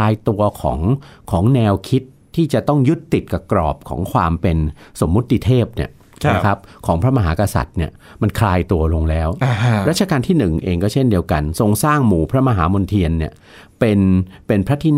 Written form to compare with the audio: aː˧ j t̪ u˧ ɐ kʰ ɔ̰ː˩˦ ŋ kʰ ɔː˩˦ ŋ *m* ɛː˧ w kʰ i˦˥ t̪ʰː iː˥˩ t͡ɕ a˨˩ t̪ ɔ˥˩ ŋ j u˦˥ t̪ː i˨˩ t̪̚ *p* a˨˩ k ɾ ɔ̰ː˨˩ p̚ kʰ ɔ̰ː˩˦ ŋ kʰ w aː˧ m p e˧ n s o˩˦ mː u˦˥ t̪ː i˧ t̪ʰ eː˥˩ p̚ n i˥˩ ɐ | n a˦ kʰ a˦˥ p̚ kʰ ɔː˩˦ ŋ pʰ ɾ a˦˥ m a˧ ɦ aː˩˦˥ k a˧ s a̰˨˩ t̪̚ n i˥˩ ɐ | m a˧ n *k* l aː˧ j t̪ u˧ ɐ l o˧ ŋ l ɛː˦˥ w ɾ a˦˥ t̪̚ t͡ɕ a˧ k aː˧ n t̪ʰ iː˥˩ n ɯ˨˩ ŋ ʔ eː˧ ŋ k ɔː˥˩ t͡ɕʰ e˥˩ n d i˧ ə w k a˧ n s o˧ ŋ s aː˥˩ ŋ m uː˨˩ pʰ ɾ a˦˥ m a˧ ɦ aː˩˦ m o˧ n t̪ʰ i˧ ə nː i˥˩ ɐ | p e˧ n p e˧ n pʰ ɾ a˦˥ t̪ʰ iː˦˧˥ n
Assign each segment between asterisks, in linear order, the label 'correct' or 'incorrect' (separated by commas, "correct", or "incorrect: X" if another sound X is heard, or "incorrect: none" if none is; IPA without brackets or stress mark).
incorrect: n, incorrect: k, incorrect: kʰ